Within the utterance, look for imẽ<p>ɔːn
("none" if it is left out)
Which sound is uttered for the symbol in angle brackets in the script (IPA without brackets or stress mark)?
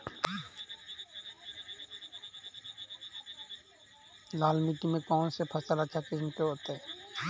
k